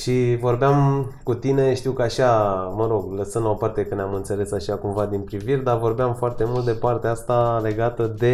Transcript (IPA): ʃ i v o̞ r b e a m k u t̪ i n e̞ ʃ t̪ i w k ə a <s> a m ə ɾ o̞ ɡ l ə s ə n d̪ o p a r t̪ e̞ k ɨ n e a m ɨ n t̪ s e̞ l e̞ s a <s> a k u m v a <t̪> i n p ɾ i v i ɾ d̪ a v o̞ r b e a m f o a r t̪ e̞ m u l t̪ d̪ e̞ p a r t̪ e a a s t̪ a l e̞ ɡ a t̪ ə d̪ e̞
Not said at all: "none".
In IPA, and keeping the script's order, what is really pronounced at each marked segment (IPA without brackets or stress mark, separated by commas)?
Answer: ʃ, ʃ, d̪